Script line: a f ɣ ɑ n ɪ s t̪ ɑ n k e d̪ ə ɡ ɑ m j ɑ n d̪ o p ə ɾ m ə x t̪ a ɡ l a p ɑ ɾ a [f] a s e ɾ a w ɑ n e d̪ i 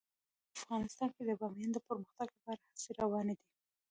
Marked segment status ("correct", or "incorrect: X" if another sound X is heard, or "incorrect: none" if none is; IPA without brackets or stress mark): incorrect: h